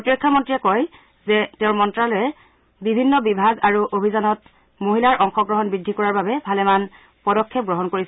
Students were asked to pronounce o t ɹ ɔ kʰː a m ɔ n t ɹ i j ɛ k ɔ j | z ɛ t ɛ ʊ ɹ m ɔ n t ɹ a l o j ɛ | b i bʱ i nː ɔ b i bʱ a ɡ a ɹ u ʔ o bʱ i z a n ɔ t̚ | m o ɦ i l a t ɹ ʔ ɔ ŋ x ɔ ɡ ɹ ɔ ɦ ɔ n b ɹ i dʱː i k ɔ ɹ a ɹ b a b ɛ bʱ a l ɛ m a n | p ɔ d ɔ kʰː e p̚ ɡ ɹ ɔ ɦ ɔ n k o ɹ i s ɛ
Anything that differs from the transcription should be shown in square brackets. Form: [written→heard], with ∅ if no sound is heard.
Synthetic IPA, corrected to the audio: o t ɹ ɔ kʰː a m ɔ n t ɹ i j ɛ k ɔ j | z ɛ t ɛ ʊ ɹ m ɔ n t ɹ a l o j ɛ | b i bʱ i nː ɔ b i bʱ a ɡ a ɹ u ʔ o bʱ i z a n ɔ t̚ | m o ɦ i l a [t→∅] ɹ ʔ ɔ ŋ x ɔ ɡ ɹ ɔ ɦ ɔ n b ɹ i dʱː i k ɔ ɹ a ɹ b a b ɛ bʱ a l ɛ m a n | p ɔ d ɔ kʰː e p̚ ɡ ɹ ɔ ɦ ɔ n k o ɹ i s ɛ